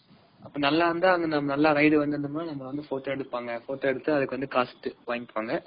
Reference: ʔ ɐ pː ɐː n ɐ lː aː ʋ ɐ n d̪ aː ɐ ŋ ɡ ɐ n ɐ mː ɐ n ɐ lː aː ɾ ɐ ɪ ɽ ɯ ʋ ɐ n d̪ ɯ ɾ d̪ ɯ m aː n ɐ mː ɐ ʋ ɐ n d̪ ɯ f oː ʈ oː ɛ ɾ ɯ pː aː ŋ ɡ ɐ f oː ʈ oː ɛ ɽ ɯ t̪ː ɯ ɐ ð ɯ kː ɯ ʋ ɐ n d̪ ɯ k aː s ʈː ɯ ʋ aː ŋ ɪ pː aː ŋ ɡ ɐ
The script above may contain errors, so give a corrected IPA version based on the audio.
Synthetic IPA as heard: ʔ ɐ pː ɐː n ɐ lː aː ʋ ɐ n d̪ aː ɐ ŋ ɡ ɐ n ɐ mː ɐ n ɐ lː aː ɾ ɐ ɪ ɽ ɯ ʋ ɐ n d̪ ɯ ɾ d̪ ɯ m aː n ɐ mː ɐ ʋ ɐ n d̪ ɯ f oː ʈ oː ɛ ɽ ɯ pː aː ŋ ɡ ɐ f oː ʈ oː ɛ ɽ ɯ t̪ː ɯ ɐ ð ɯ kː ɯ ʋ ɐ n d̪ ɯ k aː s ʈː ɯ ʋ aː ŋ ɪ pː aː ŋ ɡ ɐ